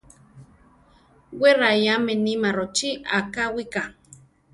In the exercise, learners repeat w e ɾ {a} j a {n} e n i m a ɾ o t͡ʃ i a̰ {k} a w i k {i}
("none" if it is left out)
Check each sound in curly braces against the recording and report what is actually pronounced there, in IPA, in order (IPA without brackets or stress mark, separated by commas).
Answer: a, m, k, a